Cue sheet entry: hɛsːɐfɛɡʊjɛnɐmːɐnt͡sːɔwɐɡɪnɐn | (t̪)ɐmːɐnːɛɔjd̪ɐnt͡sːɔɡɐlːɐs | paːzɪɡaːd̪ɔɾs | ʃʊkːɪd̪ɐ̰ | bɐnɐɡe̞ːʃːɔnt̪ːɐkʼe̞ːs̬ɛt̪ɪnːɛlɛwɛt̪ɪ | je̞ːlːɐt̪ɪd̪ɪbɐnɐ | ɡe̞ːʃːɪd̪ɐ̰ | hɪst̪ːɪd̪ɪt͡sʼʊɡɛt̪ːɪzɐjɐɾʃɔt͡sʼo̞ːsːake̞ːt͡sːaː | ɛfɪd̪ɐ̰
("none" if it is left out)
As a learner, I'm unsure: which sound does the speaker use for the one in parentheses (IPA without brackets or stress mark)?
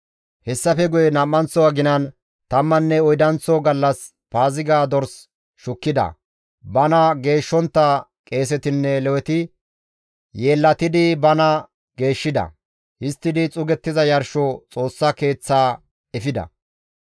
t̪